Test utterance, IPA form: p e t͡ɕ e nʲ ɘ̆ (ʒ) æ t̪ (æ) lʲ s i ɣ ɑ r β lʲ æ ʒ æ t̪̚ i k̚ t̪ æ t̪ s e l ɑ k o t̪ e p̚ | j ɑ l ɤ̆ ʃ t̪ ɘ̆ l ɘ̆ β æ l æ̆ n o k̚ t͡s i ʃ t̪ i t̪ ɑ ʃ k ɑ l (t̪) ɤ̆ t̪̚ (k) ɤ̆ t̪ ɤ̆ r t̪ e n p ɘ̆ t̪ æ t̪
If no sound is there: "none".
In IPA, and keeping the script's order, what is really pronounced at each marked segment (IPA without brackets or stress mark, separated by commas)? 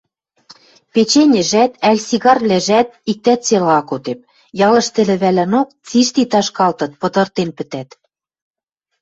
ʒ, æ, t̪, p